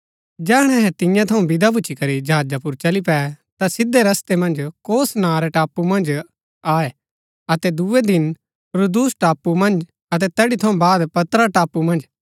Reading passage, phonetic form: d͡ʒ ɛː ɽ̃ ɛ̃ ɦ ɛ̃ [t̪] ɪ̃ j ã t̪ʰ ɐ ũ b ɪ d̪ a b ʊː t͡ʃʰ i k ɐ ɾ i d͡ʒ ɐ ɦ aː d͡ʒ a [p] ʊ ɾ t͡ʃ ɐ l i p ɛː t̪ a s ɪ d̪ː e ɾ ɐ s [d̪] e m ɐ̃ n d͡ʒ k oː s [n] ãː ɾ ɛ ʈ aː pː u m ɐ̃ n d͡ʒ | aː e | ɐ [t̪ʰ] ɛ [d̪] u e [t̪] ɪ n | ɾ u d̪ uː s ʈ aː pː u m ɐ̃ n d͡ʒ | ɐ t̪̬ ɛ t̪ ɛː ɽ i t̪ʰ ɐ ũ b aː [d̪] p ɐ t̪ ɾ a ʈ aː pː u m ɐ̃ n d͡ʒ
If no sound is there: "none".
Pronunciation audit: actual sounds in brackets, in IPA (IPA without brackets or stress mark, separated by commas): t̪, p, t̪, n, t̪, d̪, d̪, d̪